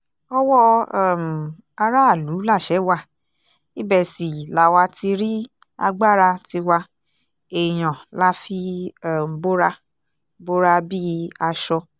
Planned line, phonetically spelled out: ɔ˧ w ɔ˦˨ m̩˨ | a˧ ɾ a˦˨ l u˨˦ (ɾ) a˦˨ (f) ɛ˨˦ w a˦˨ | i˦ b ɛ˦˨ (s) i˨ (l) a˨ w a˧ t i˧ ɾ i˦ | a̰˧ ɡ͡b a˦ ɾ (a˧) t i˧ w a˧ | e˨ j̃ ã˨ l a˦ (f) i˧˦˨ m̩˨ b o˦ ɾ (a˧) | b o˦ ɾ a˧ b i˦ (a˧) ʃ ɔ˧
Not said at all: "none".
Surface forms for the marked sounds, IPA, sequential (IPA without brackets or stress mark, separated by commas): l, ʃ, s, l, a˧, f, a˧, a˧